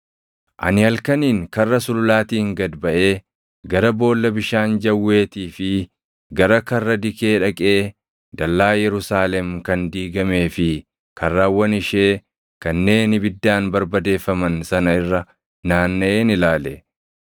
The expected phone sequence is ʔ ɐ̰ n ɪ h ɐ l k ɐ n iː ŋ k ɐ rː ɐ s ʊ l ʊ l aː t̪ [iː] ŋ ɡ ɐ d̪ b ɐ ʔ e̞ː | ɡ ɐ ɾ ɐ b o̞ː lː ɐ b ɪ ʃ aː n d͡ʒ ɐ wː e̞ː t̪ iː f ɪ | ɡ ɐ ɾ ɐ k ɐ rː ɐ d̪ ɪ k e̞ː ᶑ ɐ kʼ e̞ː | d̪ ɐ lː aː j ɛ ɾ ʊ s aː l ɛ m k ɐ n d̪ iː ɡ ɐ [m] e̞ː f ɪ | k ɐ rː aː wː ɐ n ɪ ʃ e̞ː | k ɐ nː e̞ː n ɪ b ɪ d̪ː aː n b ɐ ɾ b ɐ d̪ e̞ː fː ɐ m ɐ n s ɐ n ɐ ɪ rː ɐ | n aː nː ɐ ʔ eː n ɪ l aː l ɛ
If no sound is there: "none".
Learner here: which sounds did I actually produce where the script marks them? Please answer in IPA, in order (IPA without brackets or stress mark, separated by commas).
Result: iː, m